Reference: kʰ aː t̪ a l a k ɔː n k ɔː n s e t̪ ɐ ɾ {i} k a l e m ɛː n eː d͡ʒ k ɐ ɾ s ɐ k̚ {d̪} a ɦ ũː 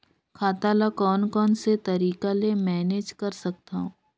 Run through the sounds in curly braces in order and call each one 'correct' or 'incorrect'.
incorrect: iː, incorrect: t̪

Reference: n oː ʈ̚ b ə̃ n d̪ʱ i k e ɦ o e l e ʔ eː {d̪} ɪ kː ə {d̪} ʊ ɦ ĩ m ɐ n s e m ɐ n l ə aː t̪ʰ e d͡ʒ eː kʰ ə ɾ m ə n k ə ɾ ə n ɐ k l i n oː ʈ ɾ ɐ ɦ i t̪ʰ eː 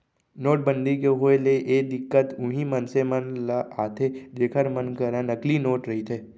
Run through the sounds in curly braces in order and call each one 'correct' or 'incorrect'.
correct, incorrect: t̪

